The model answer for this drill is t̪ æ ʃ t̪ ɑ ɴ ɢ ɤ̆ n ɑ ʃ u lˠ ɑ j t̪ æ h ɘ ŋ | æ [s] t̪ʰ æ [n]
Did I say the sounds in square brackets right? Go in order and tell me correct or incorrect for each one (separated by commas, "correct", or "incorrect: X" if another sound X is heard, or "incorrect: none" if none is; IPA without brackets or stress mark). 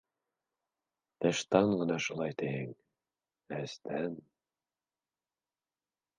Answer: correct, correct